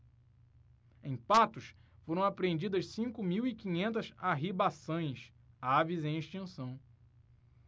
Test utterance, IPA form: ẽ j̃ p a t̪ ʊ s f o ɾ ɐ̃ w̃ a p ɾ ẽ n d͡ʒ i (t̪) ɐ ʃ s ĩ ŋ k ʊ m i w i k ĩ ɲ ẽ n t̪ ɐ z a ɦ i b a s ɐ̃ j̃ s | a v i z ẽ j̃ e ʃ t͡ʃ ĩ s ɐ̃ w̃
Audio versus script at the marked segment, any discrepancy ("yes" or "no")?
yes